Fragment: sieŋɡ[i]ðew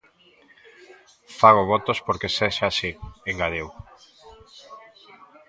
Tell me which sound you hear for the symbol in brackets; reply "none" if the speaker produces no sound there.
a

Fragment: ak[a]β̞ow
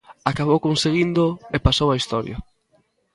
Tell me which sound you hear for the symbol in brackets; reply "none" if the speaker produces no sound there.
a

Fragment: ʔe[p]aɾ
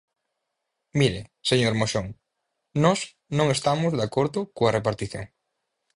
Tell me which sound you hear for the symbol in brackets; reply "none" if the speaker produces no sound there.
p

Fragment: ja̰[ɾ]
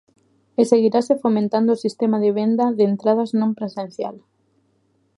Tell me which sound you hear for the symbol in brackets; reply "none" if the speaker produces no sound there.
l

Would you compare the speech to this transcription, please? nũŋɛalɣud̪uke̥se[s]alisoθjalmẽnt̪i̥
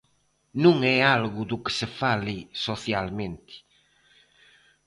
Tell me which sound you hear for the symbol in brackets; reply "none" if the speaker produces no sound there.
f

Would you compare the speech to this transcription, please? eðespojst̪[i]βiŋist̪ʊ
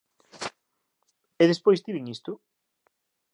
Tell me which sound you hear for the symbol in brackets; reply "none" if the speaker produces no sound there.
i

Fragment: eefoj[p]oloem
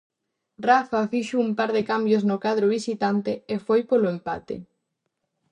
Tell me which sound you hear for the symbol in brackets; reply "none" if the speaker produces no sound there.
p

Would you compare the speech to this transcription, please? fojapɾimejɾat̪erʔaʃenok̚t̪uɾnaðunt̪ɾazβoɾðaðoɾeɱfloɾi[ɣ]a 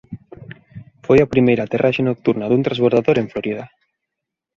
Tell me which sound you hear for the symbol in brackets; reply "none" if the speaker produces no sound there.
ð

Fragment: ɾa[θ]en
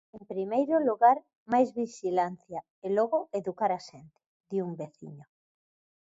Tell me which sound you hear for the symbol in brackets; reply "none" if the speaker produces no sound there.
ʃ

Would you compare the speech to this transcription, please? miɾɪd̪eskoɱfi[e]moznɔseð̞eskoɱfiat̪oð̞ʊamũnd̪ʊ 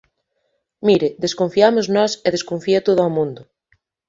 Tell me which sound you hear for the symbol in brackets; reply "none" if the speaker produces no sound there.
a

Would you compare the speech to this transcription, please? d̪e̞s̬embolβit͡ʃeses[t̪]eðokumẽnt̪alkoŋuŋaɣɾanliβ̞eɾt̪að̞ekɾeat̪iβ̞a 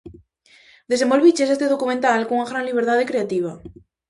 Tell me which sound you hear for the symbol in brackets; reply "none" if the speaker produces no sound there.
t̪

